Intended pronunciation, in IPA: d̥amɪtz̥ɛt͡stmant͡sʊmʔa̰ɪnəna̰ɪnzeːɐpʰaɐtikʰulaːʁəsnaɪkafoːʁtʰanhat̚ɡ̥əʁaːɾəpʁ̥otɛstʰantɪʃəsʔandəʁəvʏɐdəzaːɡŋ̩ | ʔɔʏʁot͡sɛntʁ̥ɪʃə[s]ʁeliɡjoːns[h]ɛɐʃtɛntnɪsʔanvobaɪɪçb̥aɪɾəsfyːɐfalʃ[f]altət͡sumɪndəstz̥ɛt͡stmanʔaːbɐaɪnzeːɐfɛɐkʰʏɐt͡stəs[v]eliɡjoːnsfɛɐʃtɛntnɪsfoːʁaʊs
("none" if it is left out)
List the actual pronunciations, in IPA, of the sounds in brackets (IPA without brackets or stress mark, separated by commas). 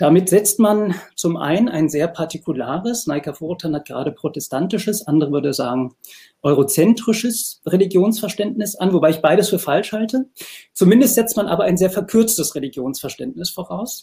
s, f, h, ʁ